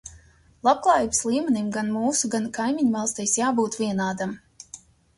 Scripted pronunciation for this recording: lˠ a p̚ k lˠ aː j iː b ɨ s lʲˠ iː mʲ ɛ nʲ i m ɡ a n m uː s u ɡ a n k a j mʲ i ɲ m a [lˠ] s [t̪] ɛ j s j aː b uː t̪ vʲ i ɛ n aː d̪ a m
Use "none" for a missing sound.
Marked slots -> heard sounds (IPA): lˠ, t̪

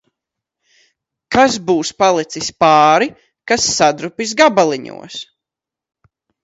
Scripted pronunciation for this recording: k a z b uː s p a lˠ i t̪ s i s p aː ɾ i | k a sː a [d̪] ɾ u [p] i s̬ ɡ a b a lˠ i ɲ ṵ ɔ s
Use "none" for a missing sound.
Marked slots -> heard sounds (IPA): d̪, p

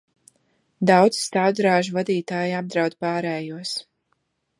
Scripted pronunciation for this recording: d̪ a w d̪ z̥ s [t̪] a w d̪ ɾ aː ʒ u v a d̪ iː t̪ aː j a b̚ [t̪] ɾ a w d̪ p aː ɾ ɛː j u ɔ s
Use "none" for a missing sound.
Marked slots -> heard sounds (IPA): t̪, d̪

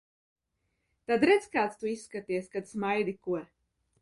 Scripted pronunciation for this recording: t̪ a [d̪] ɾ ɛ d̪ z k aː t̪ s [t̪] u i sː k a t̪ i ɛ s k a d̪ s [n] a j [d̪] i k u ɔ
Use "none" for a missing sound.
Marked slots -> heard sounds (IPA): d̪, t̪, m, d̪

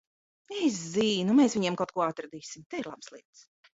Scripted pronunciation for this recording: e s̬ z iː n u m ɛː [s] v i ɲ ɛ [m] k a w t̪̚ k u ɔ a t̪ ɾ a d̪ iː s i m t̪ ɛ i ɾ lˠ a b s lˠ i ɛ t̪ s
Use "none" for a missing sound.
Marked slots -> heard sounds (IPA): s, m

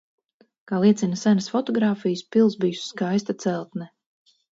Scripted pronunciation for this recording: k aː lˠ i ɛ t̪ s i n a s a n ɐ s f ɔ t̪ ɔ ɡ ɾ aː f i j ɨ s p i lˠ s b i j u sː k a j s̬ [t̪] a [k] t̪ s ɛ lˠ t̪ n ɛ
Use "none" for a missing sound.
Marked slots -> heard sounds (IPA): t̪, none

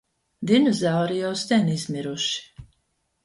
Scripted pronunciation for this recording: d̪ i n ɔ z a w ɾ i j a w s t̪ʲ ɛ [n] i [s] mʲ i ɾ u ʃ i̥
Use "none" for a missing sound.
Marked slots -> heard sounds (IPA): n, z

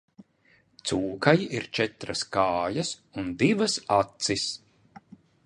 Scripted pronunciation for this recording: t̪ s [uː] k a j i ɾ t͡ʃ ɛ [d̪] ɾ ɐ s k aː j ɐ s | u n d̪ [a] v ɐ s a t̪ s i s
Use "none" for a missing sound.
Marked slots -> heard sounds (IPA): uː, t̪, i

